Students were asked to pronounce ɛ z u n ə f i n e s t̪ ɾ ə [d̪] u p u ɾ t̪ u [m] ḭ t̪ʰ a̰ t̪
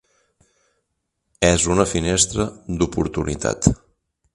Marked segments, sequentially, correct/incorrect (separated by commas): correct, incorrect